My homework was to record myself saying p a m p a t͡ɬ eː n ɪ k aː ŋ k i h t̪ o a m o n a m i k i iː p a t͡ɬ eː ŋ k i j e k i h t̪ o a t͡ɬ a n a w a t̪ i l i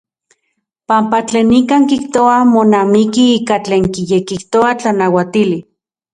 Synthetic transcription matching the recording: p a m p a t͡ɬ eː n i k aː ŋ k i h t̪ o a m o n a m i k i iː k a t͡ɬ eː ŋ k i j e k i h t̪ o a t͡ɬ a n a w a t̪ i l i